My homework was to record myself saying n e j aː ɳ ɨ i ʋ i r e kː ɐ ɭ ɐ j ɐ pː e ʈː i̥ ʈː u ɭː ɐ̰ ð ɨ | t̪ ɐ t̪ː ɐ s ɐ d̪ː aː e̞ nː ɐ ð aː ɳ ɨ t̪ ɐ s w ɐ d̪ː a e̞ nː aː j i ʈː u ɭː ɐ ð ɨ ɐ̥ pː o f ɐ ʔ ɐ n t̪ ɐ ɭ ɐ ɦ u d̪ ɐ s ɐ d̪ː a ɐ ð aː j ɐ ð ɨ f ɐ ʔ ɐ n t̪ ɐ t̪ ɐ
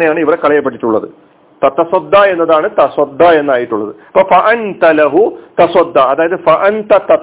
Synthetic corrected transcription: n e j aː ɳ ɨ i ʋ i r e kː ɐ ɭ ɐ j ɐ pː e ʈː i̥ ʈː u ɭː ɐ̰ ð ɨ | t̪ ɐ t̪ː ɐ s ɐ d̪ː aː e̞ nː ɐ ð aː ɳ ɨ t̪ ɐ s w ɐ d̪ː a e̞ nː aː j i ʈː u ɭː ɐ ð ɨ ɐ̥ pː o f ɐ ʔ ɐ n t̪ ɐ l ɐ ɦ u t̪ ɐ s ɐ d̪ː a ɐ ð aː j ɐ ð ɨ f ɐ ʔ ɐ n t̪ ɐ t̪ ɐ